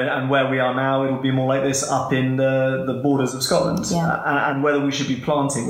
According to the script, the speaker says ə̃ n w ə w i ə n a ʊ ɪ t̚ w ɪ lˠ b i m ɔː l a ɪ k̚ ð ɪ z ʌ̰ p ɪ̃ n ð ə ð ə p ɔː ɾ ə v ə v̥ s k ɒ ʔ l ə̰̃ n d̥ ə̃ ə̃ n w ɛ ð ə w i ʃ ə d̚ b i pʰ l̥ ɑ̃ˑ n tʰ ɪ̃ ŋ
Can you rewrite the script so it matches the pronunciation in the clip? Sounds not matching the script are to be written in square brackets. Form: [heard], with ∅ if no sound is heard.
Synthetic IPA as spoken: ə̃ n w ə w i ə n a ʊ ɪ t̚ w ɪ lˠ b i m ɔː l a ɪ k̚ ð ɪ [s] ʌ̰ p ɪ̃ n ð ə ð ə [b] ɔː ɾ ə [z] ə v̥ s k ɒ ʔ l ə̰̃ n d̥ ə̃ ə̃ n w ɛ ð ə w i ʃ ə d̚ b i pʰ l̥ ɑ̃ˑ n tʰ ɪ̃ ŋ